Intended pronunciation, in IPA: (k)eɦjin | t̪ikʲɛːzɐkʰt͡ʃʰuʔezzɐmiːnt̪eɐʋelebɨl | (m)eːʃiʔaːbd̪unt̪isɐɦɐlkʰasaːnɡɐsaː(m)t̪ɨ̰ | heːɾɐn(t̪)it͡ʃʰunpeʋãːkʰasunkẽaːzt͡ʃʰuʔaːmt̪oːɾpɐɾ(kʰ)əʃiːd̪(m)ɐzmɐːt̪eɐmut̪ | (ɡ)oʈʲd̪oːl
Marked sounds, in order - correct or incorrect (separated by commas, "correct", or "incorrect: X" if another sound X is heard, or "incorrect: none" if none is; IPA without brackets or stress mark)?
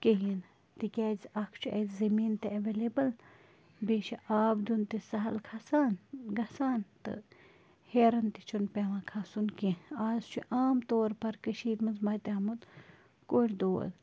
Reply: correct, incorrect: b, incorrect: n, correct, incorrect: k, correct, incorrect: k